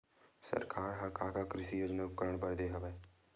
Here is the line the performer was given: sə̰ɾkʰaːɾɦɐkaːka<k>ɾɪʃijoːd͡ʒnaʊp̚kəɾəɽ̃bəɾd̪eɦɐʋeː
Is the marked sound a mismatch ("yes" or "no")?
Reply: no